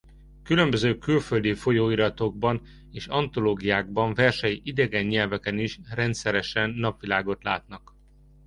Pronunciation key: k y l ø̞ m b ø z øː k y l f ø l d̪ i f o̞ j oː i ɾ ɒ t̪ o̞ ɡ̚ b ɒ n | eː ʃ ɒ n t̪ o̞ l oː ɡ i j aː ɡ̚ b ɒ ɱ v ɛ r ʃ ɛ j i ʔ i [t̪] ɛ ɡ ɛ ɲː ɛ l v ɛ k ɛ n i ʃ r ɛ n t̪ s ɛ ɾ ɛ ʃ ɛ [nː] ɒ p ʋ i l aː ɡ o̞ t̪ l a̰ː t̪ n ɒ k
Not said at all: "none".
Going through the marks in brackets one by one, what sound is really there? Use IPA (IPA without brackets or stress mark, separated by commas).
d̪, nː